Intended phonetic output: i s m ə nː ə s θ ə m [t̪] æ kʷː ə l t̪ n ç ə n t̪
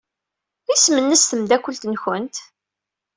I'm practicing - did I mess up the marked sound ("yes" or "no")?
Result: yes